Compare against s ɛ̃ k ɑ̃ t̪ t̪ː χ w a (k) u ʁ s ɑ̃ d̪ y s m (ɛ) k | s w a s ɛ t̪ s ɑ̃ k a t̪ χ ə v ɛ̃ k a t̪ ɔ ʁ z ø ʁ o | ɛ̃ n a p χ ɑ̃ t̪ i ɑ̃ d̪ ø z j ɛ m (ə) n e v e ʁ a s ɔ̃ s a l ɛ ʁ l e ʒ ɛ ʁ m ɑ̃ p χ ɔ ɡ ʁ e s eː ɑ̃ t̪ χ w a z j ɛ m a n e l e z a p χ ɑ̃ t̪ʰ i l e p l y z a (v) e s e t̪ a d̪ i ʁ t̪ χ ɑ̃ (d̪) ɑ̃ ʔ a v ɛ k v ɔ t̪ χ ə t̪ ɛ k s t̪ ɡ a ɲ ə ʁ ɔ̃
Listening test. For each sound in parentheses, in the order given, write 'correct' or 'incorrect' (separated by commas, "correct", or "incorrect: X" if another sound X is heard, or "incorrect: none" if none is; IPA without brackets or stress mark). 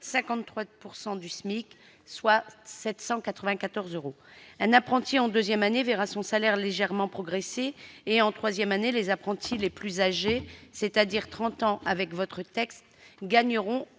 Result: incorrect: p, incorrect: i, incorrect: a, incorrect: ʒ, incorrect: t̪